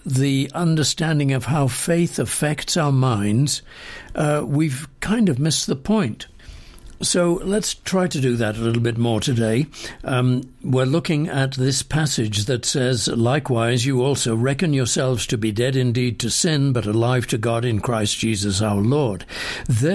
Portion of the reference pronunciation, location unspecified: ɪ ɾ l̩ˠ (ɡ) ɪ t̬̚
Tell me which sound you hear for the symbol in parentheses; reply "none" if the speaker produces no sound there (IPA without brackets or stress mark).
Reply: b